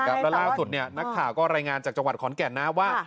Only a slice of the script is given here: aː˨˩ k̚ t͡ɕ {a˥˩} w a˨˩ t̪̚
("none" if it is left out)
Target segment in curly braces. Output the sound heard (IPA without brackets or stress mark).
a˧